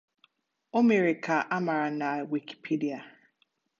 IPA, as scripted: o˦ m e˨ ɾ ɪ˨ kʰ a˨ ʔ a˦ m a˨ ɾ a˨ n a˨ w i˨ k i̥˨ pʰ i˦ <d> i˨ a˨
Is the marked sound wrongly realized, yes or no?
no